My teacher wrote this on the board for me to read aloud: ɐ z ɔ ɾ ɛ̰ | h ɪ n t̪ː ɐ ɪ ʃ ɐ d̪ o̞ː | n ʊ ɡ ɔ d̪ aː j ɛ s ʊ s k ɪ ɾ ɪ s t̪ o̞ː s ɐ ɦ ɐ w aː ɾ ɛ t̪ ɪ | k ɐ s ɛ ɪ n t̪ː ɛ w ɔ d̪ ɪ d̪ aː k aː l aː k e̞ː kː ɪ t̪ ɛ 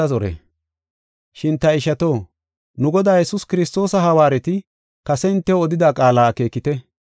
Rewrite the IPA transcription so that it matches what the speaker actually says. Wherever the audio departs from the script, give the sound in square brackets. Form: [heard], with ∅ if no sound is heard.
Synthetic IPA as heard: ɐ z ɔ ɾ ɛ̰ | [ʃ] ɪ n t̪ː ɐ ɪ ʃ ɐ [t̪] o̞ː | n ʊ ɡ ɔ d̪ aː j ɛ s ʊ s k ɪ ɾ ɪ s t̪ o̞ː s ɐ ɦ ɐ w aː ɾ ɛ t̪ ɪ | k ɐ s ɛ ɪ n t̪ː ɛ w ɔ d̪ ɪ d̪ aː [kʼ] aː l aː k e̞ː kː ɪ t̪ ɛ